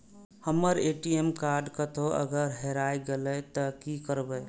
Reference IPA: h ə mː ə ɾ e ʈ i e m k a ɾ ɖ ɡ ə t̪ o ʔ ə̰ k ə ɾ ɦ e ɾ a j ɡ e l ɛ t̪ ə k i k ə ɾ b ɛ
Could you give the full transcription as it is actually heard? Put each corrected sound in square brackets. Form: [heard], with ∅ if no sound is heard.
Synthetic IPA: h ə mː ə ɾ e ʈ i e m k a ɾ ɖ [k] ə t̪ o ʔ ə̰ [ɡ] ə ɾ ɦ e ɾ a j ɡ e l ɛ t̪ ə k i k ə ɾ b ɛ